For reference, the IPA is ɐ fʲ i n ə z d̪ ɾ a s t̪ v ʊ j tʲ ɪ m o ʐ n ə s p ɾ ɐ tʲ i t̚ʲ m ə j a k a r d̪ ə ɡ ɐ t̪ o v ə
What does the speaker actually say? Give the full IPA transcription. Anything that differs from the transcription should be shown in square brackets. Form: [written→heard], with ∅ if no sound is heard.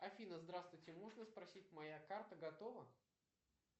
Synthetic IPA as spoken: ɐ fʲ i n ə z d̪ ɾ a s t̪ v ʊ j tʲ ɪ m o ʐ n ə s p ɾ ɐ [tʲ→sʲ] i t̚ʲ m [ə→ɐ] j a k a r [d̪→t̪] ə ɡ ɐ t̪ o v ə